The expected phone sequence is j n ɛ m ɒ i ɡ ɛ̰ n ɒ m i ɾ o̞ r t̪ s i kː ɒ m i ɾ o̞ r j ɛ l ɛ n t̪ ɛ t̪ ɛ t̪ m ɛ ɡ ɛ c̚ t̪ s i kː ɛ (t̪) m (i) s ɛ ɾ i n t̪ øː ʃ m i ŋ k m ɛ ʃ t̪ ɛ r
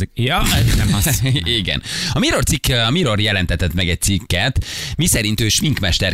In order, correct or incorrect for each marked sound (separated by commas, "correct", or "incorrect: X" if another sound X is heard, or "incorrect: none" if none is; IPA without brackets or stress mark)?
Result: correct, correct